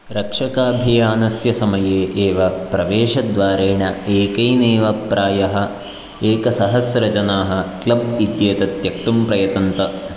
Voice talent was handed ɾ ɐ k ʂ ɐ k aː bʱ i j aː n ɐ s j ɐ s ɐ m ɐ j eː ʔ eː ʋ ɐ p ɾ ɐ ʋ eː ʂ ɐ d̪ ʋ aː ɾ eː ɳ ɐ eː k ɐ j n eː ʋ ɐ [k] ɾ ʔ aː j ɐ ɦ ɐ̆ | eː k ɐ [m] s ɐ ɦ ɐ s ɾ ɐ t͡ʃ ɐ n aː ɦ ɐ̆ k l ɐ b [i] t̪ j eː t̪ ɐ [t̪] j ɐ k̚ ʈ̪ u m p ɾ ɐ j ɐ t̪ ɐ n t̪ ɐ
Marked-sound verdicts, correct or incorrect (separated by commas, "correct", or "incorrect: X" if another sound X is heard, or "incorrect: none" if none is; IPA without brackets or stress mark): incorrect: p, incorrect: none, correct, correct